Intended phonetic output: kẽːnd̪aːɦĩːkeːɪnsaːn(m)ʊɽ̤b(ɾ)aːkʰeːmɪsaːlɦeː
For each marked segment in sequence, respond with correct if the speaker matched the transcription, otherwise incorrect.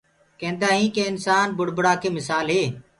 incorrect: b, incorrect: ɽ

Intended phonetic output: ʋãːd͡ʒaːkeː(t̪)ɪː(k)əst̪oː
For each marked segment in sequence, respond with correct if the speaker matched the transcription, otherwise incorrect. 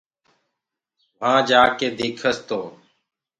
incorrect: d̪, incorrect: kʰ

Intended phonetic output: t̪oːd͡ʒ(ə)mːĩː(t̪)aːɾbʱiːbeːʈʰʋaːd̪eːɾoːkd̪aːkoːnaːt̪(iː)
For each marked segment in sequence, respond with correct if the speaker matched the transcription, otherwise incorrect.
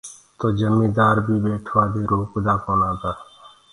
correct, incorrect: d̪, incorrect: aː

